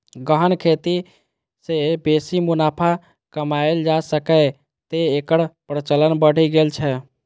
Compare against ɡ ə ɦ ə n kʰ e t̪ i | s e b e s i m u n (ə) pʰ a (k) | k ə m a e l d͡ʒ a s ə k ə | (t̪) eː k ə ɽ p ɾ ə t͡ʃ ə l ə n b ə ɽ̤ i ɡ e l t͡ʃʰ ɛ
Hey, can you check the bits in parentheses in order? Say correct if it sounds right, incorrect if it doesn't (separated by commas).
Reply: incorrect, incorrect, correct